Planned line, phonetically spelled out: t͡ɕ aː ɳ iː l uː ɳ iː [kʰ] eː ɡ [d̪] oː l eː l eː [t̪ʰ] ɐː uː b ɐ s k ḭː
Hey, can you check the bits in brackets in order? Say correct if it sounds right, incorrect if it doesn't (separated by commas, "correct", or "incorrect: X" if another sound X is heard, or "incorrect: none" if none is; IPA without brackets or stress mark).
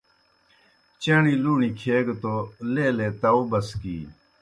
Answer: correct, incorrect: t̪, incorrect: t̪